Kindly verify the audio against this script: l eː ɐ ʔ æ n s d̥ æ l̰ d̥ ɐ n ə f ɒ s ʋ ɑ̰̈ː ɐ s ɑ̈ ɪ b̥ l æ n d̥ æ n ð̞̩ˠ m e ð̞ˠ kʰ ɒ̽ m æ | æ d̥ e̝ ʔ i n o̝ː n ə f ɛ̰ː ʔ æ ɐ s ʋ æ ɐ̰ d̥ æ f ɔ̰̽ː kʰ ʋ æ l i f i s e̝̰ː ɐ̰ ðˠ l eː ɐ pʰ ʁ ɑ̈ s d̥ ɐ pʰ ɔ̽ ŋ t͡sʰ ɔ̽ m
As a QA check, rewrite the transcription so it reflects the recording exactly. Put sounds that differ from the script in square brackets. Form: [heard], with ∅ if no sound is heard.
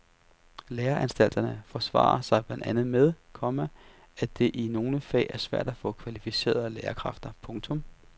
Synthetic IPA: l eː ɐ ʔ æ n s d̥ æ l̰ d̥ ɐ n ə f ɒ s ʋ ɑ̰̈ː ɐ s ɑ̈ ɪ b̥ l æ n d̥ æ n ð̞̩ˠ m e ð̞ˠ kʰ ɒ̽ m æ | æ d̥ e̝ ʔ i n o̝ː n ə f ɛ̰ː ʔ æ ɐ s ʋ æ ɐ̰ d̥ æ f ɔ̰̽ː kʰ ʋ æ l i f i s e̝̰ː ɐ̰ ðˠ l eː ɐ [kʰ] ʁ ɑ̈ [f] d̥ ɐ pʰ ɔ̽ ŋ t͡sʰ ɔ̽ m